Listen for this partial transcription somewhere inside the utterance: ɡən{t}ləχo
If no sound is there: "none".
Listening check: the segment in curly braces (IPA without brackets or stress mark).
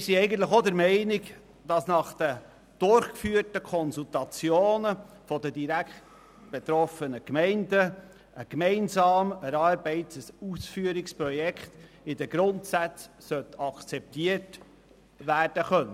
t